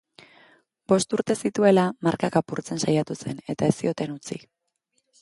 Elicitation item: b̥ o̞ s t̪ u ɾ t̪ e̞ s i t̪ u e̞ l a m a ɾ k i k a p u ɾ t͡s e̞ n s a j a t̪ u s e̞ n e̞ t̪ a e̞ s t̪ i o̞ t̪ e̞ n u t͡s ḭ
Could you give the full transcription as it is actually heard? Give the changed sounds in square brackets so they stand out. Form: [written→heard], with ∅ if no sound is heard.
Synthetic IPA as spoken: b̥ o̞ s t̪ u ɾ t̪ e̞ s i t̪ u e̞ l a m a ɾ k [i→a] k a p u ɾ t͡s e̞ n s a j a t̪ u s e̞ n e̞ t̪ a e̞ s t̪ i o̞ t̪ e̞ n u t͡s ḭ